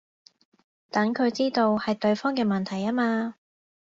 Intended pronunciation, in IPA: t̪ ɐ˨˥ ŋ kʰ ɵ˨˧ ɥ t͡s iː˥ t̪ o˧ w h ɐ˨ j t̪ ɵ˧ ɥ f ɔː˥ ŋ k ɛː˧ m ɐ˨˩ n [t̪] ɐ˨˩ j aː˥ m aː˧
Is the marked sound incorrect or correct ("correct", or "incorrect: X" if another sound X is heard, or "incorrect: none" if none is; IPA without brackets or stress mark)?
incorrect: t̪ʰ